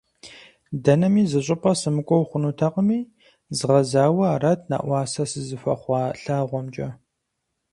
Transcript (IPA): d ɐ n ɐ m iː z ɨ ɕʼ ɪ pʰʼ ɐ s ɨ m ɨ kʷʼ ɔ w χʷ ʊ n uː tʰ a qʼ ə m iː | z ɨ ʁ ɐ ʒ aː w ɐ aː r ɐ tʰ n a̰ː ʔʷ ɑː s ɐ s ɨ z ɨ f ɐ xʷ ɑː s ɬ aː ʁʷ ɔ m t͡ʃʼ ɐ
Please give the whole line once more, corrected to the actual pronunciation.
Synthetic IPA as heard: d ɐ n ɐ m iː z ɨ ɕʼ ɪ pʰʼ ɐ s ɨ m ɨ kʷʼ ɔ w χʷ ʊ n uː tʰ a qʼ ə m iː | z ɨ ʁ ɐ z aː w ɐ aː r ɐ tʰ n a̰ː ʔʷ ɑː s ɐ s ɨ z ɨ f ɐ χʷ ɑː ɬ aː ʁʷ ɔ m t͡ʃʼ ɐ